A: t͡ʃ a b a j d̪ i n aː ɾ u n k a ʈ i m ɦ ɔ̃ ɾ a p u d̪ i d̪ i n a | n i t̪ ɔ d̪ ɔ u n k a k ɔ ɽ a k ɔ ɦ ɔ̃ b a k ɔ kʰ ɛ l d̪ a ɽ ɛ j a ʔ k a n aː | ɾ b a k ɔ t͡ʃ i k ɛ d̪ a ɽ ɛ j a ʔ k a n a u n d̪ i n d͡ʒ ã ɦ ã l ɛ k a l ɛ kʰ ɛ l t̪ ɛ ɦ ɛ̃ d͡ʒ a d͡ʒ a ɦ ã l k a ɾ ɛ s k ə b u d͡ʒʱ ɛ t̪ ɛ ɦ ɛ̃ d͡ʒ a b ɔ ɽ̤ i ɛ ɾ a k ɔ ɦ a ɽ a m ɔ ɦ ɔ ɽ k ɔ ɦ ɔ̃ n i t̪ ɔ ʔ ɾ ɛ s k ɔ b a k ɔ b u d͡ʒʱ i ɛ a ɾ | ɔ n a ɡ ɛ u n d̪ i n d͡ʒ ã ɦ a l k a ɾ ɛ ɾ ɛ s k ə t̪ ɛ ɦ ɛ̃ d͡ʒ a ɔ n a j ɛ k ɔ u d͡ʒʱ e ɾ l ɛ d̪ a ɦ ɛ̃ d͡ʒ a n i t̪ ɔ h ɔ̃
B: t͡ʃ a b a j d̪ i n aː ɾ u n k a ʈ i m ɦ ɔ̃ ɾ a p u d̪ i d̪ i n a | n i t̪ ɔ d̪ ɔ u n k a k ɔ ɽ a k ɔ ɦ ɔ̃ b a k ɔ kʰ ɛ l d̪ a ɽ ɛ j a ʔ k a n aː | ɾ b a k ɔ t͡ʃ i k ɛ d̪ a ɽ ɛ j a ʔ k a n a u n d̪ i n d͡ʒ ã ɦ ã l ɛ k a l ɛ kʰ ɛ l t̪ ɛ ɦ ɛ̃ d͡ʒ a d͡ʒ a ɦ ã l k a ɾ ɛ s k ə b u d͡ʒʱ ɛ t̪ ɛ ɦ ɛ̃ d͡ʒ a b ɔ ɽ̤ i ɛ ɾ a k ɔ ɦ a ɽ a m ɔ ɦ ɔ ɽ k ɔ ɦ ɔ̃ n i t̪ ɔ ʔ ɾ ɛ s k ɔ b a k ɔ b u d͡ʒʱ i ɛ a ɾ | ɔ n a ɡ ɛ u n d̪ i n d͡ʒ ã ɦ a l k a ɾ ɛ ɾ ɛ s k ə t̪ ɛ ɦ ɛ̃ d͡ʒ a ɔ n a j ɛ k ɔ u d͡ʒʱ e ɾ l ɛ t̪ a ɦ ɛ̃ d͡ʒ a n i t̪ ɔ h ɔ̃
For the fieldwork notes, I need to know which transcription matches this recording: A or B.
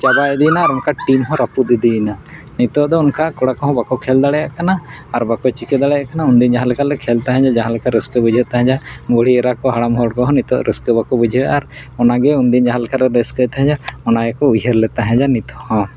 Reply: B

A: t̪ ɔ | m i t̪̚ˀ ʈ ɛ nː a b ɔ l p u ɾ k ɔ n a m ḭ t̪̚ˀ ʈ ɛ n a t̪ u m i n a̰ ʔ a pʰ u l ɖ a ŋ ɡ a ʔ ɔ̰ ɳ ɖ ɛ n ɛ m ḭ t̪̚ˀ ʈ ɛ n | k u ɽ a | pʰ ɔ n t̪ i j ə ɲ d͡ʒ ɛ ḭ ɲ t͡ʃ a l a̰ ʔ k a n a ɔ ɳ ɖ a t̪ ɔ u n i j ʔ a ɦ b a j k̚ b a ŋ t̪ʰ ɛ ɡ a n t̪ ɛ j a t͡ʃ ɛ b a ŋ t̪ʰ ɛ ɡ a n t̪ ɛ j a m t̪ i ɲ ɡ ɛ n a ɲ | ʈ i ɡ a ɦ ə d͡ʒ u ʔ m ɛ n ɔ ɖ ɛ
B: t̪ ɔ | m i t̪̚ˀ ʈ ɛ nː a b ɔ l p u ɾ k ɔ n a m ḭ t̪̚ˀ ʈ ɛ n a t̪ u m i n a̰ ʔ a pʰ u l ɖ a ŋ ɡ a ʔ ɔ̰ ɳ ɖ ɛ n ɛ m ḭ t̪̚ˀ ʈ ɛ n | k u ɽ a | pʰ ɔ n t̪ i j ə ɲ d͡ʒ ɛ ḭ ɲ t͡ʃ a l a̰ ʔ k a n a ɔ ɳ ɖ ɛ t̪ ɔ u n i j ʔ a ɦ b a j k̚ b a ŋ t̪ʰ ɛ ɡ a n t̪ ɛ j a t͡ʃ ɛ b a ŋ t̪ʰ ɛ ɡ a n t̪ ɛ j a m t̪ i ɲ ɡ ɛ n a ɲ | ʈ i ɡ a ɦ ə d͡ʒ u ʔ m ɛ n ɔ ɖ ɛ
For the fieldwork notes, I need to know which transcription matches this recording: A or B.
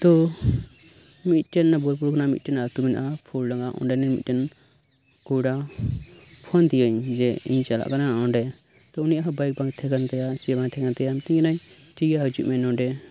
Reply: B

